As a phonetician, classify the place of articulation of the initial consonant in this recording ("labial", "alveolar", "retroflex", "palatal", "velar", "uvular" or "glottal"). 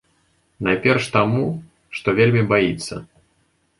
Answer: alveolar